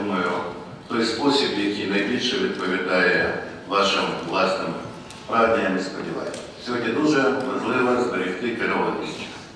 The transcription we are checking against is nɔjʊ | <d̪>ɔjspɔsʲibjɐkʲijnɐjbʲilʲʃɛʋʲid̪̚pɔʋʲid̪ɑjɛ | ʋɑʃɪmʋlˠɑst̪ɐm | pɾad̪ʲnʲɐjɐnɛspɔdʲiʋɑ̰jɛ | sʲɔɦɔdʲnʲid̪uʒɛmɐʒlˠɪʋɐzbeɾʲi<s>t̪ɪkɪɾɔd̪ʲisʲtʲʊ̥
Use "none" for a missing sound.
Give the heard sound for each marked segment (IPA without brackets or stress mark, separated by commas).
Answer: t̪, x